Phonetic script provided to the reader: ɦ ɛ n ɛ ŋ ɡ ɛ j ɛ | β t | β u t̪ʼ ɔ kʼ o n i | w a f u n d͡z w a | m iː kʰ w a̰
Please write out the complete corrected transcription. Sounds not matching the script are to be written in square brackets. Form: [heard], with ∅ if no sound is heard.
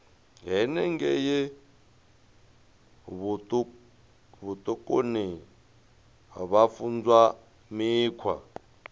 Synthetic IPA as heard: ɦ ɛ n ɛ ŋ ɡ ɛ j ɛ | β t | β u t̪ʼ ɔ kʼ o n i | [β] a f u n d͡z w a | m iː kʰ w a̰

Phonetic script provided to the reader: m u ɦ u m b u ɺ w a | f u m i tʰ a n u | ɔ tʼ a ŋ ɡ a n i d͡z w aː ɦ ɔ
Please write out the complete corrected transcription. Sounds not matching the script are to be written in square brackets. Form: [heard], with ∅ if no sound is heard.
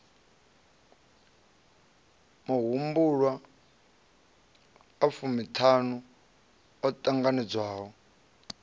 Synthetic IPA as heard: m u ɦ u m b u ɺ w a | f u m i tʰ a n u | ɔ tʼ a ŋ ɡ a n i d͡z w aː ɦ ɔ

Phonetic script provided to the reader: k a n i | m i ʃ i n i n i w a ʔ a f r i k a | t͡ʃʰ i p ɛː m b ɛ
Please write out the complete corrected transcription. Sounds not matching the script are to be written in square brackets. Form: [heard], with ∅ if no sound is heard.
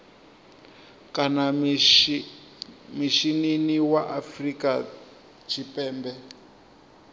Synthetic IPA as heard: k a n [a] | m i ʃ i n i n i w a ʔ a f r i k a | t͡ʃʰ i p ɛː m b ɛ

